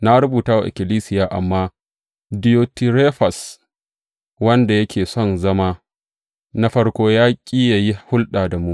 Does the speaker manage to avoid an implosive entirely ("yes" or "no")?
no